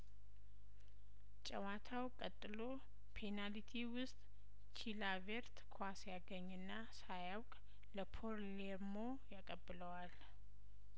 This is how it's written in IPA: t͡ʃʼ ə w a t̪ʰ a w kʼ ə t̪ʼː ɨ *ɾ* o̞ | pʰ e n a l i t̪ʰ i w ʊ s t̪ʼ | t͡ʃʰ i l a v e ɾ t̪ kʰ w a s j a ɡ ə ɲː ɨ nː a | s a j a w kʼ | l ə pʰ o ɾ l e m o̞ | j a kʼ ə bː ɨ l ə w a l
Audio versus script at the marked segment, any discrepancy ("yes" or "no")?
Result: yes